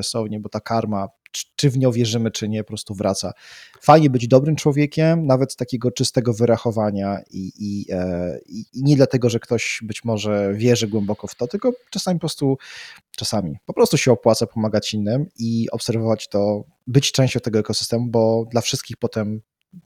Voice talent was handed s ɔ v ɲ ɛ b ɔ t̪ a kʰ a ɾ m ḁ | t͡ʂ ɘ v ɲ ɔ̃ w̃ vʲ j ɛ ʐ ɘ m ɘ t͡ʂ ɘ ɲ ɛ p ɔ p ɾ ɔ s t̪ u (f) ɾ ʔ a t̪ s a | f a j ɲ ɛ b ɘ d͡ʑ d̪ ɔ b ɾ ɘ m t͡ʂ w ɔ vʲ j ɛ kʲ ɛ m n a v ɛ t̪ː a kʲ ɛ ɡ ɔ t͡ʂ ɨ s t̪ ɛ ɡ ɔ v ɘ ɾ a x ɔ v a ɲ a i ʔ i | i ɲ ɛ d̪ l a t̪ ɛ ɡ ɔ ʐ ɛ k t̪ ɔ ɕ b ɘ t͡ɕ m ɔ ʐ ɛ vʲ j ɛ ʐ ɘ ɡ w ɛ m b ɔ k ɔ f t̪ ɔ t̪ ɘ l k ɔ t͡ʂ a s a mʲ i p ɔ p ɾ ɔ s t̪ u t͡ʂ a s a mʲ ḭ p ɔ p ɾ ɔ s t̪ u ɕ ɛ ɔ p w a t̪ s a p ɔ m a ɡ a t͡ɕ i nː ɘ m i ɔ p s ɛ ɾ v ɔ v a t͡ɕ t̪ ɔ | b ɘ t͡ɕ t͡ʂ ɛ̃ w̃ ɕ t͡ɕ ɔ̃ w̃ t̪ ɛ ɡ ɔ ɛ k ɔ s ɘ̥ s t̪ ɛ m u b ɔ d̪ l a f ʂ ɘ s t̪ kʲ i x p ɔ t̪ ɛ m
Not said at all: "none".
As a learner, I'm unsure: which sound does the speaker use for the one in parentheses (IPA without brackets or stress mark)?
v